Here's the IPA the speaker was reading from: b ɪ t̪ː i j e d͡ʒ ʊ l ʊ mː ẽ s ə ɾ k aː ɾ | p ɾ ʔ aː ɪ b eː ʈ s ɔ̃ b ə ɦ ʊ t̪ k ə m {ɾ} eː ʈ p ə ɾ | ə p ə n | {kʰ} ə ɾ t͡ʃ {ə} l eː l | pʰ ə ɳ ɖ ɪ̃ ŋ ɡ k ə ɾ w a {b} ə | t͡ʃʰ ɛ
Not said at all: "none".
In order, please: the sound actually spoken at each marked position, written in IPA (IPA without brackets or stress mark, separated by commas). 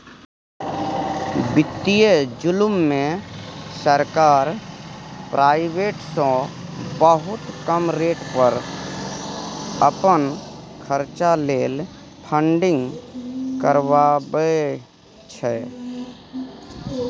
ɾ, kʰ, a, b